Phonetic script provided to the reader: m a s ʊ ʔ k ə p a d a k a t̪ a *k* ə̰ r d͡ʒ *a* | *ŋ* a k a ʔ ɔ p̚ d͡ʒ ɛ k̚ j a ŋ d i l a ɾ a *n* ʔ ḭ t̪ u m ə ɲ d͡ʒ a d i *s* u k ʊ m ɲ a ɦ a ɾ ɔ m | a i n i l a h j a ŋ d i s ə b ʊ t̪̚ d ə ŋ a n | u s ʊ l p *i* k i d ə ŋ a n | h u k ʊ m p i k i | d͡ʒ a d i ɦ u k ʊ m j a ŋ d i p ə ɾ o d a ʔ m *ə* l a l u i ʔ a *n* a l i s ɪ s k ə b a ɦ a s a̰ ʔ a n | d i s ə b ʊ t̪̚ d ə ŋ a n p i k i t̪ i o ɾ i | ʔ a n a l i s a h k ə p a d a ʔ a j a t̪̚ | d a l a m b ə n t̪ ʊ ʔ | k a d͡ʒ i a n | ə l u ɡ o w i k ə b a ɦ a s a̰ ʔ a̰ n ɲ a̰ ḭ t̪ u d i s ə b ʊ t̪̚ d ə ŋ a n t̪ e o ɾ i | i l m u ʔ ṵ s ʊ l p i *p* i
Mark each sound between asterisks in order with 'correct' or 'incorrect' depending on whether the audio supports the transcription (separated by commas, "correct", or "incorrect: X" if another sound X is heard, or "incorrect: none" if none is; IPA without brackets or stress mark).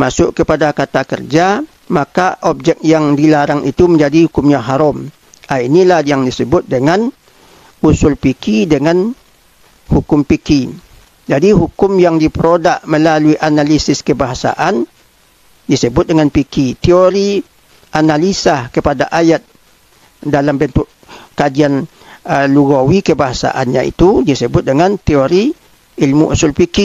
correct, correct, incorrect: m, incorrect: ŋ, incorrect: h, correct, correct, correct, incorrect: k